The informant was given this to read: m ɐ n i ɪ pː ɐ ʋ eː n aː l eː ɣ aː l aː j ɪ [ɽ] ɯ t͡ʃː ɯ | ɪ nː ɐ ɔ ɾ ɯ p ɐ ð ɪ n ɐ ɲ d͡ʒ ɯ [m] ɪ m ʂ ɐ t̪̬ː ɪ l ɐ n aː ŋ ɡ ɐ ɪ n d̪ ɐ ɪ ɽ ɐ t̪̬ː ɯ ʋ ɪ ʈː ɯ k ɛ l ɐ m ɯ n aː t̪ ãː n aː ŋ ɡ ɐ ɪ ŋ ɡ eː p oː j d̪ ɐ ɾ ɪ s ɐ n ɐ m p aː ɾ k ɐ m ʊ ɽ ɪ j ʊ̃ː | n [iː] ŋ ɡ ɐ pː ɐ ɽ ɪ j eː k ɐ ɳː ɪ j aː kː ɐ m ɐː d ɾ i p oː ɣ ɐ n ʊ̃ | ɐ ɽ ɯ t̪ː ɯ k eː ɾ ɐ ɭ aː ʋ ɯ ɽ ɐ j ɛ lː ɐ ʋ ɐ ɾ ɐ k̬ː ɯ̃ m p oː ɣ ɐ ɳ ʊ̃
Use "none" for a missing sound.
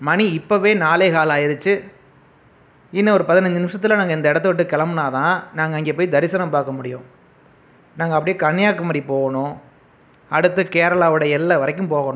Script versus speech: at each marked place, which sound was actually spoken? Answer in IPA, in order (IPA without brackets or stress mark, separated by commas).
ɾ, n, aː